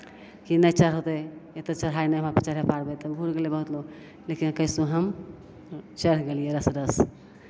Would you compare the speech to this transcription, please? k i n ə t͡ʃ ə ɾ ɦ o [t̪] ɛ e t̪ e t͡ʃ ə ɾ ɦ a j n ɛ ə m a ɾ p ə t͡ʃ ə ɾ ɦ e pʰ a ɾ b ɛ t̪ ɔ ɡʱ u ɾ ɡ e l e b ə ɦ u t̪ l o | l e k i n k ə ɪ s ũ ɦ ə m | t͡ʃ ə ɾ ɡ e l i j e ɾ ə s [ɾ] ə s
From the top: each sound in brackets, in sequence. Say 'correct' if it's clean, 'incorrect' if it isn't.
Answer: correct, correct

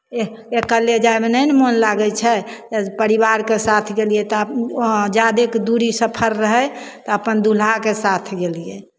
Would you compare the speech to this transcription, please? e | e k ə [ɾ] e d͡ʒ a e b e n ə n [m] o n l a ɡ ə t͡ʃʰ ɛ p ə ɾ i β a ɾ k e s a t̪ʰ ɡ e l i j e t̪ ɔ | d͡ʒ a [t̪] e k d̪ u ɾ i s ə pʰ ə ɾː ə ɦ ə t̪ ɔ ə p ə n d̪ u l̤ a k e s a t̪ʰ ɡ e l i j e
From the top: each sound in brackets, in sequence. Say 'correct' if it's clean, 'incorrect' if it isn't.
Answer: incorrect, correct, incorrect

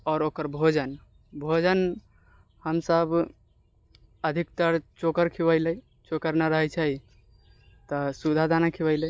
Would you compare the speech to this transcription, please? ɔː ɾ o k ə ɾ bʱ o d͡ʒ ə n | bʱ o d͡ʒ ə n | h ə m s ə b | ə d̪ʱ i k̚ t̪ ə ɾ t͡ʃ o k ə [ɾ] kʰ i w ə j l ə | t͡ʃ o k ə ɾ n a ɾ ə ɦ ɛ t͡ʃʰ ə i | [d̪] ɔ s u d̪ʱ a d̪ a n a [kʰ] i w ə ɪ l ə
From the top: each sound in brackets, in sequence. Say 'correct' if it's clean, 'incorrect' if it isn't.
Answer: correct, incorrect, correct

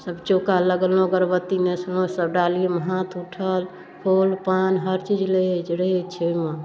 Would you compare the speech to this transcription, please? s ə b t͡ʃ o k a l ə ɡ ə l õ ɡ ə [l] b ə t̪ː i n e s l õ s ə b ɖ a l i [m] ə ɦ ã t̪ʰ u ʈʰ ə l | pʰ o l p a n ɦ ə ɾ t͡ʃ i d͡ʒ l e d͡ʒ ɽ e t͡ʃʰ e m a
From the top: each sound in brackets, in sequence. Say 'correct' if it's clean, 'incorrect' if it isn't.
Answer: incorrect, correct

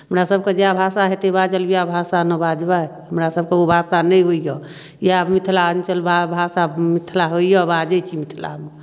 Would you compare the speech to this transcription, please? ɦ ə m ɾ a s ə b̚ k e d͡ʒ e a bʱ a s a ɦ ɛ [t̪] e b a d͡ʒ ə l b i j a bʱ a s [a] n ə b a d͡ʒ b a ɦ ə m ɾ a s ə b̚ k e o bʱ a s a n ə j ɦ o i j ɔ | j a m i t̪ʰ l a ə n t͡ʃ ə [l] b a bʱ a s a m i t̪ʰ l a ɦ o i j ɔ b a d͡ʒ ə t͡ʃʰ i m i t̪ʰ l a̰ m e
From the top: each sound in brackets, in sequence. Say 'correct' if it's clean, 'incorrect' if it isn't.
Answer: correct, correct, correct

